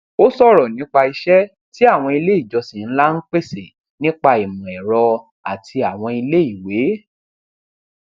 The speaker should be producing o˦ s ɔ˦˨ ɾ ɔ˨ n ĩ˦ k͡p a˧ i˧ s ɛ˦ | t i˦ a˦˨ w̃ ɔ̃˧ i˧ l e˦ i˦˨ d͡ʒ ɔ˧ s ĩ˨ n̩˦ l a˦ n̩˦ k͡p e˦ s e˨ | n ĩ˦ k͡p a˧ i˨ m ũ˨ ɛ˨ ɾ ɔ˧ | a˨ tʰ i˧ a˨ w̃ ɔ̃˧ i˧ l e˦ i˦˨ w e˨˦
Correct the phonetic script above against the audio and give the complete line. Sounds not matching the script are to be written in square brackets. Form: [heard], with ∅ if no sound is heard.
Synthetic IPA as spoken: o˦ s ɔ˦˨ ɾ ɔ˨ n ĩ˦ k͡p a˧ i˧ [ʃ] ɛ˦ | t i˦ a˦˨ w̃ ɔ̃˧ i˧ l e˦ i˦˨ d͡ʒ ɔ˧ s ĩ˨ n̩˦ l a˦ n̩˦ k͡p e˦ s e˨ | n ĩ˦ k͡p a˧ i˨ m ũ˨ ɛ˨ ɾ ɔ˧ | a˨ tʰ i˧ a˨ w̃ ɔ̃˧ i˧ l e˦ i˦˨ w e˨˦